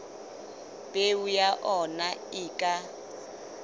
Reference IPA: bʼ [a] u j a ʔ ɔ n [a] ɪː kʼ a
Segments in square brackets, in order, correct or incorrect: incorrect, correct

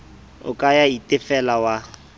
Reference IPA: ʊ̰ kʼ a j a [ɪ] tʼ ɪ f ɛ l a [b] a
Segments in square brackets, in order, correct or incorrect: incorrect, incorrect

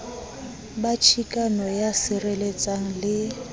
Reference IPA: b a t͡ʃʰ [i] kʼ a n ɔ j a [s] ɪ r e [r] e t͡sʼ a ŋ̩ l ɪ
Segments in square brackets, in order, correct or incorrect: correct, correct, incorrect

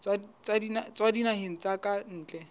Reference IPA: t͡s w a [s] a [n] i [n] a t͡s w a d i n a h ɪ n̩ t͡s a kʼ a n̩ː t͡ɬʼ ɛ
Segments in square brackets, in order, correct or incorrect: incorrect, incorrect, correct

